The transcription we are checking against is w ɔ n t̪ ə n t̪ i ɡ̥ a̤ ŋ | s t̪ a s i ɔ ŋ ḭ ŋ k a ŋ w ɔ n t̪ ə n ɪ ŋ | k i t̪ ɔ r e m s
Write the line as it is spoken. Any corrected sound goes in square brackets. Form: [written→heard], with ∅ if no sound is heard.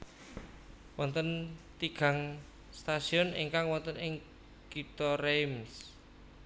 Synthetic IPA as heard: w ɔ n t̪ ə n t̪ i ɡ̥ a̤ ŋ | s t̪ a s i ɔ [ŋ→n] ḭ ŋ k a ŋ w ɔ n t̪ ə n ɪ ŋ | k i t̪ ɔ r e m s